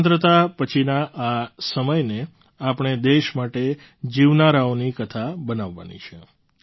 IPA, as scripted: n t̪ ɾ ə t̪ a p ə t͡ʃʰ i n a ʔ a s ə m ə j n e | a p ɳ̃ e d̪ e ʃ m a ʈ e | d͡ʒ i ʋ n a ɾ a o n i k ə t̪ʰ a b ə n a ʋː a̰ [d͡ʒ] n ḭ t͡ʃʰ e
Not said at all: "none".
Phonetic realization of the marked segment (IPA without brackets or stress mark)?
none